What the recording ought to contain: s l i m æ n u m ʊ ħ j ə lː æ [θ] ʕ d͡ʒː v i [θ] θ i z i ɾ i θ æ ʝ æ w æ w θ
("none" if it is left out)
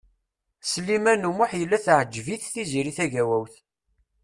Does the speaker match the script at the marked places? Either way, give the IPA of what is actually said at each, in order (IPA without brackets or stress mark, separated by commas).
θ, θ